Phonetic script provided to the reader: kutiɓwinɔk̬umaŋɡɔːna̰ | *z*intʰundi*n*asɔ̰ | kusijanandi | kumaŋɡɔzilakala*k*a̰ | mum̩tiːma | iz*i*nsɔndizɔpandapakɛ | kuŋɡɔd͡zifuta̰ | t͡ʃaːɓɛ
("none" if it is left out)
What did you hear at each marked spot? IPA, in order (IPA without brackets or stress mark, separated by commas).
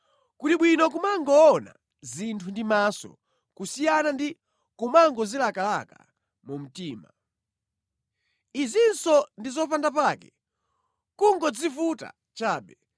z, m, k, i